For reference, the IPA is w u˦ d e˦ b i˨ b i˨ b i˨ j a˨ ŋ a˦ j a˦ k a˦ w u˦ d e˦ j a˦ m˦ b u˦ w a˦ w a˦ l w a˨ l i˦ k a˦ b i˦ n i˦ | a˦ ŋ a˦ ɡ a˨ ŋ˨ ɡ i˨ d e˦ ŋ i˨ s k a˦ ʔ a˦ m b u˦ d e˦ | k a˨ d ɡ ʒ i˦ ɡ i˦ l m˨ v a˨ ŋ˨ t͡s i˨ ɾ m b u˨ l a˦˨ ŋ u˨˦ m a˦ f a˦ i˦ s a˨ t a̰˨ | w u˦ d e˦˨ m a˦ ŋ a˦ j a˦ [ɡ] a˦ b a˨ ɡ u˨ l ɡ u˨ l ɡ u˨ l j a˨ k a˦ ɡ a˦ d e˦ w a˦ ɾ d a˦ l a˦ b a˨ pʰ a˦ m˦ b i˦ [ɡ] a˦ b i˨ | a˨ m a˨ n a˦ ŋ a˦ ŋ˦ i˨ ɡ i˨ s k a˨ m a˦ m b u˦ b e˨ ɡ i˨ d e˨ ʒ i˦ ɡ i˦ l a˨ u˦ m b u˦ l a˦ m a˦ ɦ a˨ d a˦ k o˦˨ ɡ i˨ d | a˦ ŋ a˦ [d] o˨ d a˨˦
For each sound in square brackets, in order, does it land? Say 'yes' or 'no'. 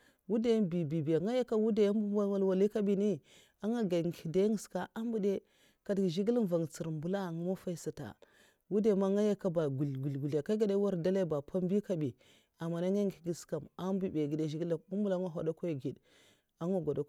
no, no, no

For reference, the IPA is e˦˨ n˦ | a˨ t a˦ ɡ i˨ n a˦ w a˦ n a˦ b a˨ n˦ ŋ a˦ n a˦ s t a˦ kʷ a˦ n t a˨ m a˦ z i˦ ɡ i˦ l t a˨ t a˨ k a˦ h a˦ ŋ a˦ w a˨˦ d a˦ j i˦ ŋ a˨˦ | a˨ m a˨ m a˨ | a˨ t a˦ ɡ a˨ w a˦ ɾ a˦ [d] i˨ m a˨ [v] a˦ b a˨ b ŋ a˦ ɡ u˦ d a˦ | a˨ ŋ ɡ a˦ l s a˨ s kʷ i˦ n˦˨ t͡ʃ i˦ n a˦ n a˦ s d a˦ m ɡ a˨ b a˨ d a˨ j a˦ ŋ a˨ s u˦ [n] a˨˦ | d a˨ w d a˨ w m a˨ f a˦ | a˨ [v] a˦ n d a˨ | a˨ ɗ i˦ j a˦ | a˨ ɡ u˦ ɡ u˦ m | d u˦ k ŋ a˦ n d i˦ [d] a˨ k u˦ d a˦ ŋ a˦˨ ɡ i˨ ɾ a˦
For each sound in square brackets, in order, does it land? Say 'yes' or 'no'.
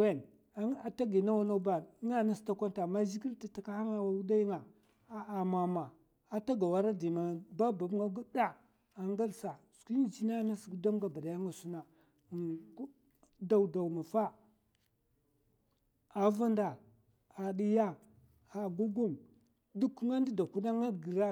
yes, no, yes, yes, yes

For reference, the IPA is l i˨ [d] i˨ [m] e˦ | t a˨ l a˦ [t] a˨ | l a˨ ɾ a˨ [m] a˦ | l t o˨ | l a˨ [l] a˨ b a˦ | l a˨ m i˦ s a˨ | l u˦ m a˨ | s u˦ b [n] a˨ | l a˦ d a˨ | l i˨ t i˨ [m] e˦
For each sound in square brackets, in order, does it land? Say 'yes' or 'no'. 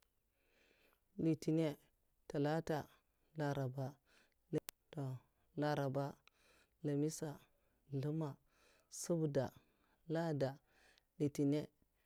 no, no, yes, no, no, no, no

